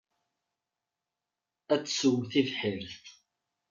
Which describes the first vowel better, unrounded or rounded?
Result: unrounded